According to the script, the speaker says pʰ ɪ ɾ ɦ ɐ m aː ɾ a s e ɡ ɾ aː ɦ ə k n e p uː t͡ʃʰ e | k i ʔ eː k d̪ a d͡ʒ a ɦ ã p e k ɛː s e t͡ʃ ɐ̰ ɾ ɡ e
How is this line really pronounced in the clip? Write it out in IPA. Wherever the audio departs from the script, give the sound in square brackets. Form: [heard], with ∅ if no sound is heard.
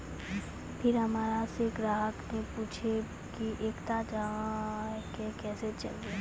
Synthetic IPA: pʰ ɪ ɾ ɦ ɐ m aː ɾ a s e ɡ ɾ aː ɦ ə k n e p uː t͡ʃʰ e | k i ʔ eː k [t̪] a d͡ʒ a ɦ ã [k] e k ɛː s e t͡ʃ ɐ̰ [l] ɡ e